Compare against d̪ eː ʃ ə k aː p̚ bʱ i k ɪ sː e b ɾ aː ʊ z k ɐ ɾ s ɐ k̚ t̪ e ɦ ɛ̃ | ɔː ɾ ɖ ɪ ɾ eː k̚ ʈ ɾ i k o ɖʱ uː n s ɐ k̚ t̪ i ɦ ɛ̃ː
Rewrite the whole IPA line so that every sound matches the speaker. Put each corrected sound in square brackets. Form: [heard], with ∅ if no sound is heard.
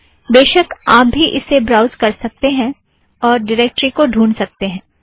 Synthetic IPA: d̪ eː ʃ ə k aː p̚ bʱ i [ʔ] ɪ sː e b ɾ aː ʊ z k ɐ ɾ s ɐ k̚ t̪ e ɦ ɛ̃ | ɔː ɾ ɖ ɪ ɾ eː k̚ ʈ ɾ i k o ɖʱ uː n s ɐ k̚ t̪ [e] ɦ ɛ̃ː